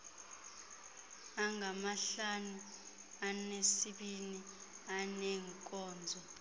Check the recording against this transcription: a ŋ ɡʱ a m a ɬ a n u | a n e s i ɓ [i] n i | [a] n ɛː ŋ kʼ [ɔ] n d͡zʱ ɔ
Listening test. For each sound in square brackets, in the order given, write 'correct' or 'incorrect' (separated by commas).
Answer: correct, correct, incorrect